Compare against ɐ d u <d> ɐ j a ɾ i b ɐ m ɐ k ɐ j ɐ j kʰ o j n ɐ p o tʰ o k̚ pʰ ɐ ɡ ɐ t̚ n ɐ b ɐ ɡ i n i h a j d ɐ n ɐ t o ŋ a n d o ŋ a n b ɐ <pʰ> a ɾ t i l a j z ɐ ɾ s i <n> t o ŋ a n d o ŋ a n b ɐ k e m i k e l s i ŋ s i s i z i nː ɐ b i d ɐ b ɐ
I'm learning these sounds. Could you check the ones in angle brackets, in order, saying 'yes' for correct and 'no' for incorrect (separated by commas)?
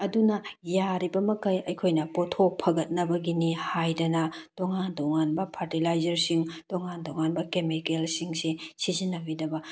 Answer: no, yes, no